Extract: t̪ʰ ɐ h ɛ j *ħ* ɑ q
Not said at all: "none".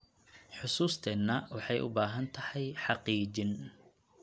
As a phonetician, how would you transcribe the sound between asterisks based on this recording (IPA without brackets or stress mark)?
ħ